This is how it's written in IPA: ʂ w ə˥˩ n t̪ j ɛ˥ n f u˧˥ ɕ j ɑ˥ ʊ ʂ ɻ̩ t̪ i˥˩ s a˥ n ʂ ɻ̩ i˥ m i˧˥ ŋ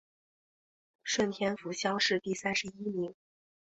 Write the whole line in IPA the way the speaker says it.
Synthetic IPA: ʂ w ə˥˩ n t̪ʰ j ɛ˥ n f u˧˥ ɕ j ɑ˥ ʊ ʂ ɻ̩ t̪ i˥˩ s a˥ n ʂ ɻ̩ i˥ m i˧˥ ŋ